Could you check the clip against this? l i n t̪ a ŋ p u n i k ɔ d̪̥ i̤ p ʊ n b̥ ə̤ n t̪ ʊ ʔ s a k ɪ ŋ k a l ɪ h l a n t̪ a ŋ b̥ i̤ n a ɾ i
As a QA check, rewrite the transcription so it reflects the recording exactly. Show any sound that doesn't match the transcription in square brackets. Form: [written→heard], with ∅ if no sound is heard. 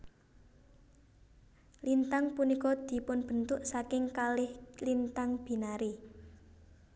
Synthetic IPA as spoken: l i n t̪ a ŋ p u n i k ɔ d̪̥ i̤ p ʊ n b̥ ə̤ n t̪ ʊ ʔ s a k ɪ ŋ k a l ɪ h l [a→i] n t̪ a ŋ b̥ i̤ n a ɾ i